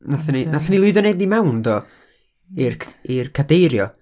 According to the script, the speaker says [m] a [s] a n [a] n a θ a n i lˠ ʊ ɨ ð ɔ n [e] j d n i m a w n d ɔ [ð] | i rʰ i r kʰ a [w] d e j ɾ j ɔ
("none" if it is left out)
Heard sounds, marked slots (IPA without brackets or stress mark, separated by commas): n, θ, i, e, none, none